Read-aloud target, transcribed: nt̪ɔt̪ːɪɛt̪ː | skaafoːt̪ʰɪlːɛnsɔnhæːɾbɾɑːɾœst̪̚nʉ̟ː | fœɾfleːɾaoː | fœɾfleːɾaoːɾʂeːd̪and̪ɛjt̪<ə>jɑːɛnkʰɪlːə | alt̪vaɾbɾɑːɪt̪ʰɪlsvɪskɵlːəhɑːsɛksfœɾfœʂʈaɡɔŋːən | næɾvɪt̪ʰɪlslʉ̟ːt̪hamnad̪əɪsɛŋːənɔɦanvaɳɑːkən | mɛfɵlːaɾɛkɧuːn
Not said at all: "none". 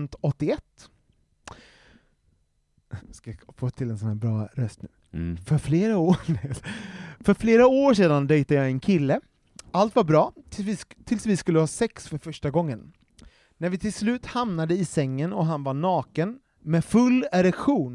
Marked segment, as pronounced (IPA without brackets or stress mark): a